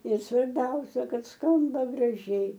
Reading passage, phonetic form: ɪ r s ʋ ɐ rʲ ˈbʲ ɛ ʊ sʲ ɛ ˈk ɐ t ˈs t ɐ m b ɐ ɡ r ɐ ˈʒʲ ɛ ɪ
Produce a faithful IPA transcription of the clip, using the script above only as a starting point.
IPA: ɪ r s ʋ ɐ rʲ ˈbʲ ɛ ʊ sʲ ɛ ˈk ɐ t ˈs k ɐ m b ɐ ɡ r ɐ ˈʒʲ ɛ ɪ